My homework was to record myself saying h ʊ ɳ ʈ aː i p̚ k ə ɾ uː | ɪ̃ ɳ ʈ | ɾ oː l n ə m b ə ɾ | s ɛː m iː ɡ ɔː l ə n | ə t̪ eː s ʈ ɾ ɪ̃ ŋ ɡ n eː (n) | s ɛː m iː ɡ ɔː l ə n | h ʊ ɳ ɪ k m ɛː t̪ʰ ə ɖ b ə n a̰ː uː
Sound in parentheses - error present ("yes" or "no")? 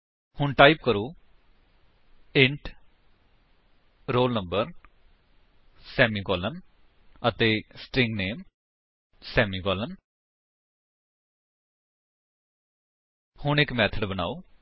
yes